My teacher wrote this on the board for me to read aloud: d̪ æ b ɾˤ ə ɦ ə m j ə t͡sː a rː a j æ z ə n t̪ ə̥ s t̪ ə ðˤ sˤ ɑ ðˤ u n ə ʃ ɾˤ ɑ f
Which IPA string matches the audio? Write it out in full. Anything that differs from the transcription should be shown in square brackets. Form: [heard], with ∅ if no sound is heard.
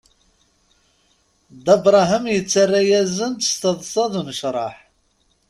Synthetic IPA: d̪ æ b ɾˤ [ɑ] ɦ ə m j ə t͡sː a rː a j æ z ə n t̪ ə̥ s t̪ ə ðˤ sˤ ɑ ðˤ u n ə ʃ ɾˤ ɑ [ħ]

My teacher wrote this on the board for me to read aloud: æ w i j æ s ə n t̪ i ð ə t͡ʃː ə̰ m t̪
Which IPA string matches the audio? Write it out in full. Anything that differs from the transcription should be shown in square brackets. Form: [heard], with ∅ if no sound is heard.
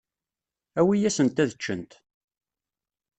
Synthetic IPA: æ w i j æ s ə n t̪ [æ] ð ə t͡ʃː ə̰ [n] t̪

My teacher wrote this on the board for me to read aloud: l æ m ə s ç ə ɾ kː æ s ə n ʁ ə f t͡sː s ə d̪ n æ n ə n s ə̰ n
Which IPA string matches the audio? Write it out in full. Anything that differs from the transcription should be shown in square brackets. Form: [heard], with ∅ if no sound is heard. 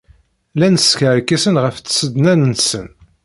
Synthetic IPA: l æ [n] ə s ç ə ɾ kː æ s ə n ʁ ə f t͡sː s ə d̪ n æ n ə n s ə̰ n

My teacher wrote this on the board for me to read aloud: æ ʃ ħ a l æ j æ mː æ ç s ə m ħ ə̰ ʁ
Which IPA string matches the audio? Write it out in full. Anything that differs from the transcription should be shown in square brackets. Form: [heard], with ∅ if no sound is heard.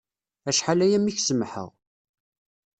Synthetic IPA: æ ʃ ħ a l æ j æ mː [i] ç s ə m ħ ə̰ ʁ

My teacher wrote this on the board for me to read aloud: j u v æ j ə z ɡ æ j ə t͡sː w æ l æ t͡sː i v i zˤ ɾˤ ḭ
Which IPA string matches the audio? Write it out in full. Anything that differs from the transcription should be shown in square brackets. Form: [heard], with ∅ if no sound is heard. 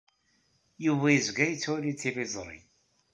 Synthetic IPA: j u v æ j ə z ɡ æ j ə t͡sː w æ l [i] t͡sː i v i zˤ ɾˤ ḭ

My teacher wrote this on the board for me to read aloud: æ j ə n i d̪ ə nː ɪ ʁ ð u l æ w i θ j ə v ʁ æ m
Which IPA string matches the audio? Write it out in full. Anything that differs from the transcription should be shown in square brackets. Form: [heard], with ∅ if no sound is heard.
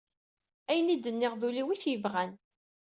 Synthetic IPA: æ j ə n i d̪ ə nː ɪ ʁ ð u l [i] w i θ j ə v ʁ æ [n]

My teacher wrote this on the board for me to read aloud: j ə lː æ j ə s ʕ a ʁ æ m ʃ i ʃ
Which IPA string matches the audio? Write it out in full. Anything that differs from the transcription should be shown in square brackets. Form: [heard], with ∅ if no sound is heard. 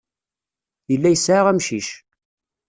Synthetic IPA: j ə lː æ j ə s ʕ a ʁ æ m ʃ i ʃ

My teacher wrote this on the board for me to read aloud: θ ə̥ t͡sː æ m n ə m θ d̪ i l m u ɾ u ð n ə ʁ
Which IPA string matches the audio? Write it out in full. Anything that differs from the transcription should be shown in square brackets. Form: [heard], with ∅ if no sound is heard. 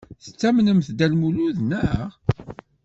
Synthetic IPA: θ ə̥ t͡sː æ m n ə m θ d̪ [æ] l m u [l] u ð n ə ʁ

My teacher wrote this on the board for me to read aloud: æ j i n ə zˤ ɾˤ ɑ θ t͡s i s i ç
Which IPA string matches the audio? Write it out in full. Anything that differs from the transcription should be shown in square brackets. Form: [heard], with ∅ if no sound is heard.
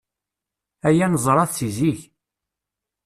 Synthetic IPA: æ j [æ] n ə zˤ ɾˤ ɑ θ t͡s i [z] i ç

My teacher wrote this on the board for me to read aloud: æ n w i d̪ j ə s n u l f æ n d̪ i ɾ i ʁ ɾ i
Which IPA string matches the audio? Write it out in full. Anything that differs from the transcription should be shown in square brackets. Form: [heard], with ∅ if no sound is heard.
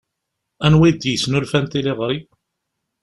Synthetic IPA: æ n w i d̪ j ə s n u l f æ n [t̪] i [l] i ʁ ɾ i

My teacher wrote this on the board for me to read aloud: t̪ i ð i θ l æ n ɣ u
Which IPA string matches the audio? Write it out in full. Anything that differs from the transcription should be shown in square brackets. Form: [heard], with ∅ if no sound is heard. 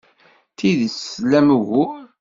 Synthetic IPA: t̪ i ð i [s] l æ [m] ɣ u

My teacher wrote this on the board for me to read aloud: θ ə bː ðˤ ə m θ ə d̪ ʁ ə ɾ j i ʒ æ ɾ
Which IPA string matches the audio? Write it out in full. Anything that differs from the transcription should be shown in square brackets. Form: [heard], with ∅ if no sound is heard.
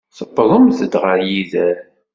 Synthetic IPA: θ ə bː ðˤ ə m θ ə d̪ ʁ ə ɾ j i [ð] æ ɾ

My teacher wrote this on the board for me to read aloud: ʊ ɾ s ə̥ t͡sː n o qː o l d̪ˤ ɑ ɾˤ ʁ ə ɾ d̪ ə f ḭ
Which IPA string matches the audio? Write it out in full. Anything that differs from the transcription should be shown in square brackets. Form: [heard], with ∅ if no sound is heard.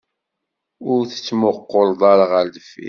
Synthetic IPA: ʊ ɾ [θ] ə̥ t͡sː [m] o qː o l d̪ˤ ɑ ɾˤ ʁ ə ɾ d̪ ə f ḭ

